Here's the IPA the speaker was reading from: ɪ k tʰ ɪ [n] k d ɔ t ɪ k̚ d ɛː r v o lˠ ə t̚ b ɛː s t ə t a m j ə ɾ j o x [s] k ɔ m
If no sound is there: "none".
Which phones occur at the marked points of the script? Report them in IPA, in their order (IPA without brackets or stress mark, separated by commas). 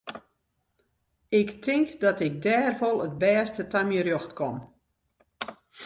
ŋ, t